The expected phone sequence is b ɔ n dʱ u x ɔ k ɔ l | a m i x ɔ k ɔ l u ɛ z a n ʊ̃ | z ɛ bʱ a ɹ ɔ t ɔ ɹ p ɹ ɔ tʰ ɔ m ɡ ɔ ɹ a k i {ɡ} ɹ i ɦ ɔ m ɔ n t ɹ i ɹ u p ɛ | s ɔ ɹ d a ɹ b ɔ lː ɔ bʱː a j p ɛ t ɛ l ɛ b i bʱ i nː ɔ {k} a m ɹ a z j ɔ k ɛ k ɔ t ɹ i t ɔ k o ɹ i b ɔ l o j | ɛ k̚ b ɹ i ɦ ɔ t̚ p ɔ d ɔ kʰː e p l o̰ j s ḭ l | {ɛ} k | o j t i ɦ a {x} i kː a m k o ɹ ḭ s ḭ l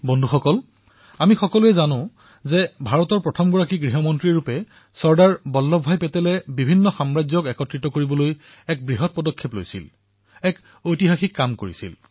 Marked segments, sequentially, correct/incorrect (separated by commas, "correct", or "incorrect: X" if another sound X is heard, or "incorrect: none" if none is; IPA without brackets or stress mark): correct, incorrect: x, correct, correct